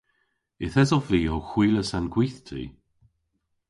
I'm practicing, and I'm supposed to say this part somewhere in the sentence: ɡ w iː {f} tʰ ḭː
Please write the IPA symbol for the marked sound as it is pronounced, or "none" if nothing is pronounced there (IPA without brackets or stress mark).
θ